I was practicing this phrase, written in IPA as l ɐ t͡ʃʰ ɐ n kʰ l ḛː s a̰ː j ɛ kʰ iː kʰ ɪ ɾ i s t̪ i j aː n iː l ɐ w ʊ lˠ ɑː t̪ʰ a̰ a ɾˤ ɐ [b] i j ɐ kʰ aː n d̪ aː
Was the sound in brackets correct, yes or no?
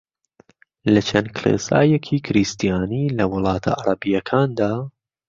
yes